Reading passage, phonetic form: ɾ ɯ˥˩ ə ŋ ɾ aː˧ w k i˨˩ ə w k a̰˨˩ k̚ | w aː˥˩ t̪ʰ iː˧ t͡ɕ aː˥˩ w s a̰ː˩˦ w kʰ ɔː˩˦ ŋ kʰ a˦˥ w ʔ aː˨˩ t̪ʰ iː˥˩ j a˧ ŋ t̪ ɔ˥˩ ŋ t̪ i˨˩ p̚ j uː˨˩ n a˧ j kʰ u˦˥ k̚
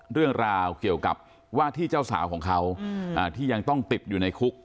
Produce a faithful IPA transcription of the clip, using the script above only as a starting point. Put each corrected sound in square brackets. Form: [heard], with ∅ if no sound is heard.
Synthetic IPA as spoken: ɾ ɯ˥˩ ə ŋ ɾ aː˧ w k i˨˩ ə w k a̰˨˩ [p̚] | w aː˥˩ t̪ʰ [iː˥˩] t͡ɕ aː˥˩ w s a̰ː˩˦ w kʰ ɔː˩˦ ŋ kʰ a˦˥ w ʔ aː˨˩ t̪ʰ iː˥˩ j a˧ ŋ t̪ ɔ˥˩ ŋ t̪ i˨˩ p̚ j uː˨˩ n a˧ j kʰ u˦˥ k̚